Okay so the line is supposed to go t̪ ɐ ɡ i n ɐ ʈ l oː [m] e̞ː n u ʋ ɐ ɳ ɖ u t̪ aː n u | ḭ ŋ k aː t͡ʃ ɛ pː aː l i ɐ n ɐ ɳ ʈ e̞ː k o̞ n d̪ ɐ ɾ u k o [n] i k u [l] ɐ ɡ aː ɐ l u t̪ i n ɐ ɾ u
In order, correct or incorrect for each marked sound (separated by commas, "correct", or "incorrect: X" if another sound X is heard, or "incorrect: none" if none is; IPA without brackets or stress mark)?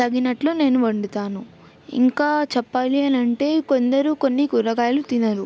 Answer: incorrect: n, incorrect: nː, incorrect: ɾ